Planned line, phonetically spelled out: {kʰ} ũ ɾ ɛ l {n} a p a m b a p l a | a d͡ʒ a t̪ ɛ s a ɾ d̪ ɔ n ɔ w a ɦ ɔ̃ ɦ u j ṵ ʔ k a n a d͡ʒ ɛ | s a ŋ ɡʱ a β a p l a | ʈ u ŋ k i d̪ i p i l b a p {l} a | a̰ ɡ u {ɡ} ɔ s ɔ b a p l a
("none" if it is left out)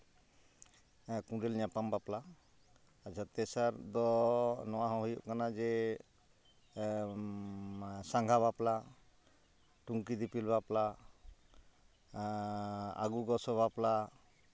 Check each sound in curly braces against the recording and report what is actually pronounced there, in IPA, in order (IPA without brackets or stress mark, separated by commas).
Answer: k, ɲ, l, ɡ